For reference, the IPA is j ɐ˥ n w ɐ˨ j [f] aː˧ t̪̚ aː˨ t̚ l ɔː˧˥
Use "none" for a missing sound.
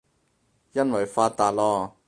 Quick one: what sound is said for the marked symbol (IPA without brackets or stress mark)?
f